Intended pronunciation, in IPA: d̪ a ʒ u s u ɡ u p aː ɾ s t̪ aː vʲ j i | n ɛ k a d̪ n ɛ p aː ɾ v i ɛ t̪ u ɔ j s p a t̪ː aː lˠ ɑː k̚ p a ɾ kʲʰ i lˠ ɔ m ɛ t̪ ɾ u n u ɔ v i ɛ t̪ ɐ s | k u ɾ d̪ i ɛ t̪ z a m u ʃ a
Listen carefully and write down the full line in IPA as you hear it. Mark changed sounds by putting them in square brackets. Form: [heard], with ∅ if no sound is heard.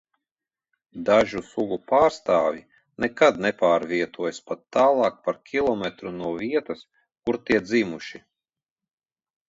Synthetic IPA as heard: d̪ a ʒ u s u ɡ u p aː ɾ s t̪ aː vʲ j i | n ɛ k a d̪ n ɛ p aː ɾ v i ɛ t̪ u ɔ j s p a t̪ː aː lˠ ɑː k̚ p a ɾ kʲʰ i lˠ ɔ m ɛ t̪ ɾ u n u ɔ v i ɛ t̪ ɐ s | k u ɾ [t̪] i ɛ [d̪] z [i] m u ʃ [i]